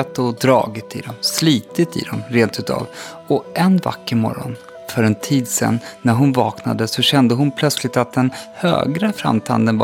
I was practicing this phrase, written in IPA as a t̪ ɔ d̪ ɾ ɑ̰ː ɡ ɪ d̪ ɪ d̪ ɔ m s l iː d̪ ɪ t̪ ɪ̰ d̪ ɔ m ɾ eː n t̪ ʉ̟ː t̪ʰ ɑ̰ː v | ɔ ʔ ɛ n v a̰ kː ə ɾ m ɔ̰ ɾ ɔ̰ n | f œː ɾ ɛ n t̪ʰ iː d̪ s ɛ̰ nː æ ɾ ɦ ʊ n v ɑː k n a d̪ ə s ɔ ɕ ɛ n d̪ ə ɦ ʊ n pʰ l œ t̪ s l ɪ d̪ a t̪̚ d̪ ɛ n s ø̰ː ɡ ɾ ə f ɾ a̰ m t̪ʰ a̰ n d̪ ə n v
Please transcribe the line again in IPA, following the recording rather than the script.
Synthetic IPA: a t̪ ɔ d̪ ɾ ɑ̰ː ɡ ɪ t̪ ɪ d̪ ɔ m s l iː t̪ ɪ t̪ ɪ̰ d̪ ɔ m ɾ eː n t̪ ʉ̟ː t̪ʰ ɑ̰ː v | ɔ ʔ ɛ n v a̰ kː ə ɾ m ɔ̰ ɾ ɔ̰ n | f œ ɾ ɛ n t̪ʰ iː d̪ s ɛ̰ nː æ ɾ ɦ ʊ n v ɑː k n a d̪ ə s ɔ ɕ ɛ n d̪ ə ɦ ʊ n pʰ l œ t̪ s l ɪ t̪ a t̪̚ d̪ ɛ n h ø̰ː ɡ ɾ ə f ɾ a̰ m t̪ʰ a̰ n d̪ ə n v